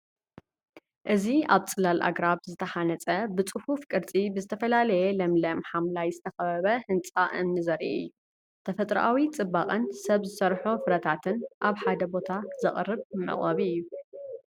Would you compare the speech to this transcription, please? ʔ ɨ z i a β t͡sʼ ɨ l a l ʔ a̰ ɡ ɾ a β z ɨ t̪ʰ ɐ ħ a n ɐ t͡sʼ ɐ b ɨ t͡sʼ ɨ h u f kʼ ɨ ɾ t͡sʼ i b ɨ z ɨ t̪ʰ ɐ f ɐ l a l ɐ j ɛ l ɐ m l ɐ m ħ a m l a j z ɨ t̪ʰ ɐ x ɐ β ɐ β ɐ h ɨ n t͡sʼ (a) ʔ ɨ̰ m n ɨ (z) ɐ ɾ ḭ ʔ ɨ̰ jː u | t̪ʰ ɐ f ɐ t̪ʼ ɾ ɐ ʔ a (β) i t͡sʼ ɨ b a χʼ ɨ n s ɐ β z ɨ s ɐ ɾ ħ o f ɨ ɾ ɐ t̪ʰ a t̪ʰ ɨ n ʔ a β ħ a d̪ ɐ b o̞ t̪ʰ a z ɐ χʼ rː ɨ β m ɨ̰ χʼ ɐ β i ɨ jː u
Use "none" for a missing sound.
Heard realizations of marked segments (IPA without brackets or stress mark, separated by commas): a, z, w